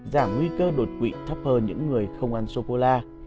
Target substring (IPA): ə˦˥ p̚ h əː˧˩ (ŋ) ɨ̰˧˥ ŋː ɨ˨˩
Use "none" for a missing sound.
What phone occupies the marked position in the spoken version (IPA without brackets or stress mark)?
ɲ